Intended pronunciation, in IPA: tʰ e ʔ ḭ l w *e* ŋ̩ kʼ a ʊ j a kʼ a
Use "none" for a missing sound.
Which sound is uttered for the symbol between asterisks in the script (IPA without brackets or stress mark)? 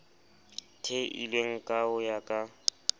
e